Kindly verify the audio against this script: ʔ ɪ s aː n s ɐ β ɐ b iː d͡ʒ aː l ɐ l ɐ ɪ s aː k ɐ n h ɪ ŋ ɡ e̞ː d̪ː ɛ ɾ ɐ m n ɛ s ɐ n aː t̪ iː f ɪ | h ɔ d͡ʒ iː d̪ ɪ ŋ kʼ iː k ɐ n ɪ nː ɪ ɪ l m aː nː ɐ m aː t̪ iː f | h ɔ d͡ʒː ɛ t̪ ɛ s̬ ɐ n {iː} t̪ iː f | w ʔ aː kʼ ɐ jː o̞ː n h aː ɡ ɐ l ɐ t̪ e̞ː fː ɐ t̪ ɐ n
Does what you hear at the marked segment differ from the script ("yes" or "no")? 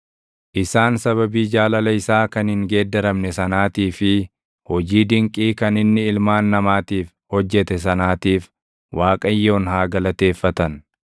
yes